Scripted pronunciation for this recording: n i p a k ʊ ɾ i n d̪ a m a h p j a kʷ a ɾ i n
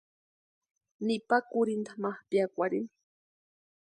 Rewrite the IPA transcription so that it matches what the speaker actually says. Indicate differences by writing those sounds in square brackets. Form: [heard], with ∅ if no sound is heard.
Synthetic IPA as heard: n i p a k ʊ ɾ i n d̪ a m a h p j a kʷ a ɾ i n